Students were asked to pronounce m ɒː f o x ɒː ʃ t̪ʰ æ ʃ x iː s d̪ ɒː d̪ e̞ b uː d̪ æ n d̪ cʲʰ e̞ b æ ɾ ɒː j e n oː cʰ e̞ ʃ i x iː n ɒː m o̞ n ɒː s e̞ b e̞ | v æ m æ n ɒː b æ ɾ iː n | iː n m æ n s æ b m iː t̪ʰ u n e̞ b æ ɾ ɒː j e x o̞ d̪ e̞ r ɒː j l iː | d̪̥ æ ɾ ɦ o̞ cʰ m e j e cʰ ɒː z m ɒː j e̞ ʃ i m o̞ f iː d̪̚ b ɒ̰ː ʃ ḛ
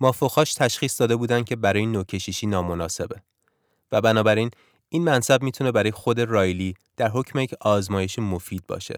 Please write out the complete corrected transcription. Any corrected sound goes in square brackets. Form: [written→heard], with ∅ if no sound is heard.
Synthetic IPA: m ɒː f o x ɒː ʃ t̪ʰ æ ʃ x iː s d̪ ɒː d̪ e̞ b uː d̪ æ n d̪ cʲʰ e̞ b æ ɾ ɒː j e n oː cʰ e̞ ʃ i [x→ʃ] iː n ɒː m o̞ n ɒː s e̞ b e̞ | v æ [m→b] æ n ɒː b æ ɾ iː n | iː n m æ n s æ b m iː t̪ʰ u n e̞ b æ ɾ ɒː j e x o̞ d̪ e̞ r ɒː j l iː | d̪̥ æ ɾ ɦ o̞ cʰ m e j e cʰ ɒː z m ɒː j e̞ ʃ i m o̞ f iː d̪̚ b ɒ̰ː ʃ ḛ